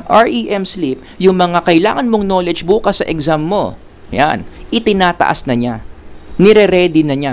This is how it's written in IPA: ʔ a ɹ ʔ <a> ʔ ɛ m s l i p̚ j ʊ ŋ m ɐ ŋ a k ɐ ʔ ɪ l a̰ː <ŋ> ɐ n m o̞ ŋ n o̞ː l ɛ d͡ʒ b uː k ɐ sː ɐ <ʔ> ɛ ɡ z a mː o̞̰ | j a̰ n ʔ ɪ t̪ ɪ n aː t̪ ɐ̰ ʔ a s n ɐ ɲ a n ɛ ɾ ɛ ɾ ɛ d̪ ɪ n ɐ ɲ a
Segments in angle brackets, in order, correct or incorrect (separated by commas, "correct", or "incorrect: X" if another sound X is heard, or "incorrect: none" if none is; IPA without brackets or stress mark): incorrect: i, correct, correct